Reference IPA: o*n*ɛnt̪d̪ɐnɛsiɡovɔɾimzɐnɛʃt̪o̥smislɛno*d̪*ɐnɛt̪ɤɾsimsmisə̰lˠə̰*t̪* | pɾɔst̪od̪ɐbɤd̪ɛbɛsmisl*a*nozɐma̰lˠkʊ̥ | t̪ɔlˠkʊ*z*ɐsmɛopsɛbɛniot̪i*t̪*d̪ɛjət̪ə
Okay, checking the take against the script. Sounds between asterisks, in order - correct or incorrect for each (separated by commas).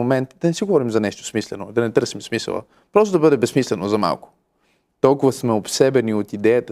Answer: incorrect, correct, incorrect, incorrect, incorrect, incorrect